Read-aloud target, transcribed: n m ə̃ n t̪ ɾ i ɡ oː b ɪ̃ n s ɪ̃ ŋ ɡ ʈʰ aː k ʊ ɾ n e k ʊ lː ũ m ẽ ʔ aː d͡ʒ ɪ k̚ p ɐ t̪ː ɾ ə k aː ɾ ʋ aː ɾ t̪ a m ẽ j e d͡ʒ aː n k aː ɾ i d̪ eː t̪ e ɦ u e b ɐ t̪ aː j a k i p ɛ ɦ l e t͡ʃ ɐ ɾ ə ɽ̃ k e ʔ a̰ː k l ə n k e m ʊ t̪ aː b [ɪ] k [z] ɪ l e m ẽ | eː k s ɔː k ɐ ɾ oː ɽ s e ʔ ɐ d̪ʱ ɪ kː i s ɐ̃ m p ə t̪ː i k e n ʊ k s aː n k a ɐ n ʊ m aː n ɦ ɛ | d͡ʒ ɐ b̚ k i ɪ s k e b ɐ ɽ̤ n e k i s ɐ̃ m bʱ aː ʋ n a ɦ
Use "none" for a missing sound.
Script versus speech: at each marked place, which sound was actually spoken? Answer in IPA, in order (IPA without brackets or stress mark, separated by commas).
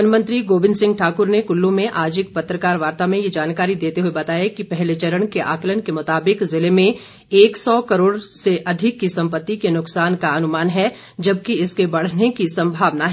ɪ, z